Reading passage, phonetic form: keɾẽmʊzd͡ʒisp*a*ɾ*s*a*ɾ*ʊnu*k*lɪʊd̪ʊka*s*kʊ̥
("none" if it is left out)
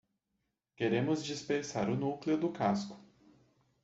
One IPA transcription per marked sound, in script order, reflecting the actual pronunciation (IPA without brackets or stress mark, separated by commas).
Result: e, s, ɾ, k, s